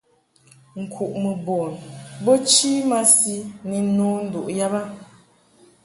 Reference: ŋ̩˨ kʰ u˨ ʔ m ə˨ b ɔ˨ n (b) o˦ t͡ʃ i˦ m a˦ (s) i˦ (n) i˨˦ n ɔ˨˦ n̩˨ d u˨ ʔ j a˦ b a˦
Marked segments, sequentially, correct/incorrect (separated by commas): correct, correct, correct